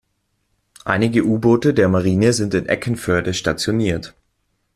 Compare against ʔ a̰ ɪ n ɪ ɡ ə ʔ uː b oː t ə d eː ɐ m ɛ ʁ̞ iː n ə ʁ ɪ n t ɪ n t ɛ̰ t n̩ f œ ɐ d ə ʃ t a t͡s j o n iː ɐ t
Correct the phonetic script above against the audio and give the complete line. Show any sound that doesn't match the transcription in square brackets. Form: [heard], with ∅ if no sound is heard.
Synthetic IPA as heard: ʔ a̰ ɪ n ɪ ɡ ə ʔ uː b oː t ə d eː ɐ m [a] ʁ̞ iː n ə [z] ɪ n t ɪ n [ʔ] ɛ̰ [k] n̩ f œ ɐ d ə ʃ t a t͡s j o n iː ɐ t